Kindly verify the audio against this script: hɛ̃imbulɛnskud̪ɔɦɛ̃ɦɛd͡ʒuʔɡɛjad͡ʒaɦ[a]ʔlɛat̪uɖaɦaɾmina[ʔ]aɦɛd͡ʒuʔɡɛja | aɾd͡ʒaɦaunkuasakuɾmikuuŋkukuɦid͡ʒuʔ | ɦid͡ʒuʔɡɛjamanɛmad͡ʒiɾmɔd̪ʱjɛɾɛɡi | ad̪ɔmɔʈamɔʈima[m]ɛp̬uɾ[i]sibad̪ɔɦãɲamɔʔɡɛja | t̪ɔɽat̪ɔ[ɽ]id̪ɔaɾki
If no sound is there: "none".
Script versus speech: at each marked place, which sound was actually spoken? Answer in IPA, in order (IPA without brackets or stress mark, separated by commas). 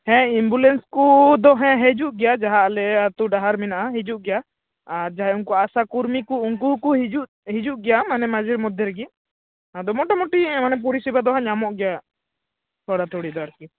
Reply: a, ʔ, n, i, ɽ